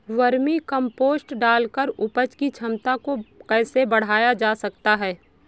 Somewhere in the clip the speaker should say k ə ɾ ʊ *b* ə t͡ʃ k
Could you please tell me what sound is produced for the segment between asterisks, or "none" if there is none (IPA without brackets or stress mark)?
p